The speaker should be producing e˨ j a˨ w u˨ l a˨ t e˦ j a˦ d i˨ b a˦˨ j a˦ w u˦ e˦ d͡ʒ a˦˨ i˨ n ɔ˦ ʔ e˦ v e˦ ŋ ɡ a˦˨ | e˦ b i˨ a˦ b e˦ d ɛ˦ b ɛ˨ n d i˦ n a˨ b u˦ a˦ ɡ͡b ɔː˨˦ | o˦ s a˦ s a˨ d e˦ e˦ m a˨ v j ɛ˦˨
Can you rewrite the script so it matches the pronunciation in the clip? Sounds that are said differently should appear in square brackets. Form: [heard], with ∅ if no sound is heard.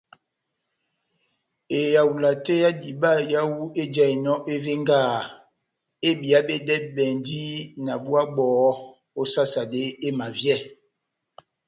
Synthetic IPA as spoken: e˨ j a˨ w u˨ l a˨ t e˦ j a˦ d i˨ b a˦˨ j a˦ w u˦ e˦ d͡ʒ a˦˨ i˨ n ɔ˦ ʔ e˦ v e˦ ŋ ɡ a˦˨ | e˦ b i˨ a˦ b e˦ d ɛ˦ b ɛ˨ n d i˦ n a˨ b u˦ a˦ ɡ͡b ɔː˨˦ | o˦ s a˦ s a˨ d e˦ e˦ m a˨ v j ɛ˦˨